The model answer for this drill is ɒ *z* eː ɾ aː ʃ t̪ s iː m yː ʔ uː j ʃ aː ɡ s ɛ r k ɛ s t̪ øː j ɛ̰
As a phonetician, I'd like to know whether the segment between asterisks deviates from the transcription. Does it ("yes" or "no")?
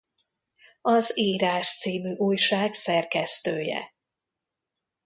no